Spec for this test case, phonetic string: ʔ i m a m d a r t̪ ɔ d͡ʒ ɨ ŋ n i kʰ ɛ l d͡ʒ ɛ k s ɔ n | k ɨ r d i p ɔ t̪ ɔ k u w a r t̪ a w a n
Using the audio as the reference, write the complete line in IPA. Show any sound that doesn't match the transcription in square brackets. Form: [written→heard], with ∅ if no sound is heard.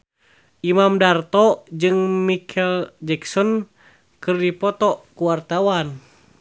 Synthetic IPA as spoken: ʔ i m a m d a r t̪ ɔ d͡ʒ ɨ ŋ [n→m] i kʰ ɛ l d͡ʒ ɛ k s ɔ n | k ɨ r d i p ɔ t̪ ɔ k u w a r t̪ a w a n